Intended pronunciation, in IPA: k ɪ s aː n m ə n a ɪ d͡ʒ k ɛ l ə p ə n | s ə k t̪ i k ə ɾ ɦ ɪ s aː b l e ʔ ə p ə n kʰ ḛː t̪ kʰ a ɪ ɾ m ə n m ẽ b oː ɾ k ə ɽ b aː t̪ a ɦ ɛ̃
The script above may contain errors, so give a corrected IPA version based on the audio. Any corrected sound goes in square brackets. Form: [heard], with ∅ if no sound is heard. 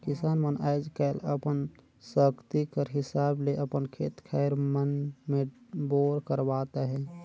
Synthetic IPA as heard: k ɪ s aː n m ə n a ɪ d͡ʒ k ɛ l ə p ə n | s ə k t̪ i k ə ɾ ɦ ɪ s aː b l e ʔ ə p ə n kʰ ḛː t̪ kʰ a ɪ ɾ m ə n m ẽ b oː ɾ k ə [ɾ] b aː t̪ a ɦ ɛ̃